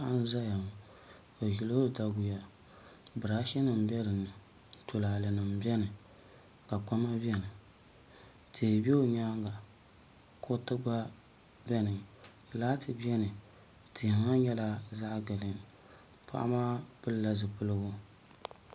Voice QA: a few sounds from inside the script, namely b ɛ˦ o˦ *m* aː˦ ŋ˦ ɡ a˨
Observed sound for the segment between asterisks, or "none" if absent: ɲ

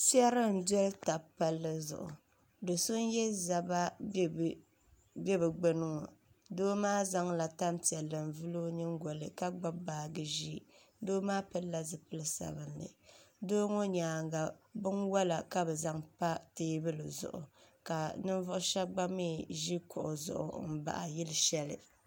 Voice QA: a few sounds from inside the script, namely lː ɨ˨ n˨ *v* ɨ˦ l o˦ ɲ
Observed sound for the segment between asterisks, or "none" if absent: v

